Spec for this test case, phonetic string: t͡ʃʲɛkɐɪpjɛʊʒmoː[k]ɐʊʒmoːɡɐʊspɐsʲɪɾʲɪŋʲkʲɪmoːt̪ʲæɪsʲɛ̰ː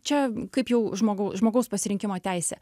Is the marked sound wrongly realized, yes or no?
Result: yes